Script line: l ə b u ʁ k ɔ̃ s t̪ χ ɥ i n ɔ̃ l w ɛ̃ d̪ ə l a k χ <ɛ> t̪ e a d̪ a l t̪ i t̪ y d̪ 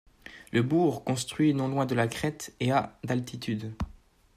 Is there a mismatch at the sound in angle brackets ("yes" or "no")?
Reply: no